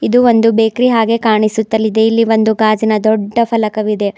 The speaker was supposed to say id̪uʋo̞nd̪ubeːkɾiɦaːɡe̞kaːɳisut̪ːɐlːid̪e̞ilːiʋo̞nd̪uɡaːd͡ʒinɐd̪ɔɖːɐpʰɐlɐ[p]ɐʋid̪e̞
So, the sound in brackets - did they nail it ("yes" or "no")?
no